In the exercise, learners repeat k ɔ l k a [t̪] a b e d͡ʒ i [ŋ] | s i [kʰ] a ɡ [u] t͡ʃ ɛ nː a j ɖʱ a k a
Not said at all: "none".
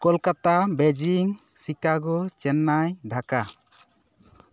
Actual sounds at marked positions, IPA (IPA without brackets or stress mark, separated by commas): t̪, ŋ, k, ɔ